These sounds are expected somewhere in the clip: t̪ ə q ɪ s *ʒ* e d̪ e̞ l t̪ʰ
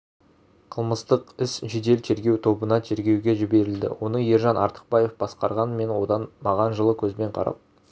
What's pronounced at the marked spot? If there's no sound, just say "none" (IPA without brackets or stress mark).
ʒ